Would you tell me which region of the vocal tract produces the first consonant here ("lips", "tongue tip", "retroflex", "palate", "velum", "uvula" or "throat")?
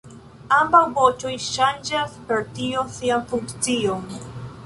lips